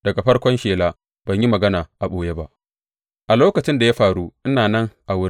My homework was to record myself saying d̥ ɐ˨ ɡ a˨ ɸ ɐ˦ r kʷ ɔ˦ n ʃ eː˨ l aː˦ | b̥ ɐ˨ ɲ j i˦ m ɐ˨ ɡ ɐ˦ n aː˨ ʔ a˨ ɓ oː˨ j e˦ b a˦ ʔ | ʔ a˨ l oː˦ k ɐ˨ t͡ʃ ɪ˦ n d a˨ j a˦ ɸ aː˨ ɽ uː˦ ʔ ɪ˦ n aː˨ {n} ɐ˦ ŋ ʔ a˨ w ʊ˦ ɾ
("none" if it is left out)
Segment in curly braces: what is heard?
n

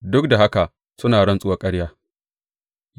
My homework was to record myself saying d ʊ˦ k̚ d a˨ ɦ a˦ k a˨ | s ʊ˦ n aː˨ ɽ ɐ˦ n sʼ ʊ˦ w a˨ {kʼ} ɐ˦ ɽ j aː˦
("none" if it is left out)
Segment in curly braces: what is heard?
kʼ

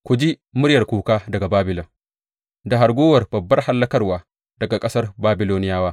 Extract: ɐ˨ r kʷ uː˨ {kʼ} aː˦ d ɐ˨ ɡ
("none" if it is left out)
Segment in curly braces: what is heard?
k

